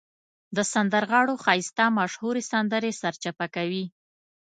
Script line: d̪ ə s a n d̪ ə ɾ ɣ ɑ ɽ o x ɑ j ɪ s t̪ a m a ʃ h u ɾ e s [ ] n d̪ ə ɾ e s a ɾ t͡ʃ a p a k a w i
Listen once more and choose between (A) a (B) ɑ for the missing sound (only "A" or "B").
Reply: A